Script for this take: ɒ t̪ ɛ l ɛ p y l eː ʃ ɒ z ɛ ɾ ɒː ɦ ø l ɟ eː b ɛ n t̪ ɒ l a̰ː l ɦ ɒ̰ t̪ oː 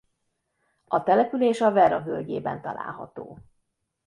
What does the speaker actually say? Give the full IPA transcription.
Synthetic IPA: ɒ t̪ ɛ l ɛ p y l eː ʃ ɒ v ɛ ɾ ɒ ɦ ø l ɟ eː b ɛ n t̪ ɒ l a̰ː l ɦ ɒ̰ t̪ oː